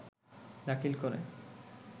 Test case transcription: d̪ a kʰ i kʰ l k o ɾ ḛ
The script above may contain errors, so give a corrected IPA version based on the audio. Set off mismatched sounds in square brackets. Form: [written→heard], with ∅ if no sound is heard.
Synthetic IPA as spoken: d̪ a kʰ i [kʰ→∅] l k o ɾ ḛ